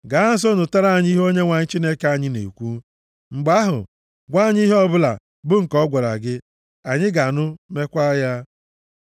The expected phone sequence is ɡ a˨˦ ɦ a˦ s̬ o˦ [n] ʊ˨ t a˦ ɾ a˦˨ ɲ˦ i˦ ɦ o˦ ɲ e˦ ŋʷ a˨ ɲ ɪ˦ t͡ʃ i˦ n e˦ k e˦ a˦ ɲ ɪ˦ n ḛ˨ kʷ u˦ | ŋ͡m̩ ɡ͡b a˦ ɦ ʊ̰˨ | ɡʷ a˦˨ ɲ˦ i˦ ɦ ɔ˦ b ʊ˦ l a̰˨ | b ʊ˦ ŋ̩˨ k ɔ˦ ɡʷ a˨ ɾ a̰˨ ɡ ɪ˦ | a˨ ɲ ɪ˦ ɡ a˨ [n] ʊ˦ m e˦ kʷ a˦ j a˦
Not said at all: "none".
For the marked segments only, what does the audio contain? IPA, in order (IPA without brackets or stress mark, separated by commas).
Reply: n, n